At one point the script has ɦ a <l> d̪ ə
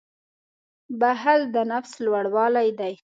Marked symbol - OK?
yes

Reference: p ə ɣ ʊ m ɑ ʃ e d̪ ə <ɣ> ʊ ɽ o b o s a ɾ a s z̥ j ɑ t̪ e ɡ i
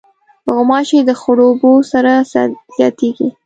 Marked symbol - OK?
no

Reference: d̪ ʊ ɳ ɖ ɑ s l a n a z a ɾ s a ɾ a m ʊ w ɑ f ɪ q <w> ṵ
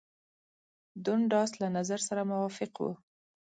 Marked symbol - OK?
yes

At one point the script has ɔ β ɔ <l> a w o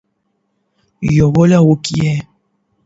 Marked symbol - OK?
yes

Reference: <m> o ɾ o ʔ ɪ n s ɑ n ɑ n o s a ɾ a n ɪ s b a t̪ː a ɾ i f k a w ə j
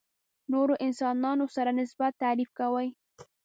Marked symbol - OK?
no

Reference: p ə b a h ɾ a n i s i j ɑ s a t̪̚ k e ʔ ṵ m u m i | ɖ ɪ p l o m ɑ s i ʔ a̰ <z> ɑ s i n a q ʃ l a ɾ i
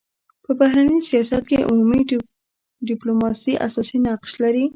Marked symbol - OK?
no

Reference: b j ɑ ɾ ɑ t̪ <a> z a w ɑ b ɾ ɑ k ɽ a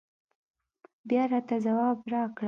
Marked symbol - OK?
yes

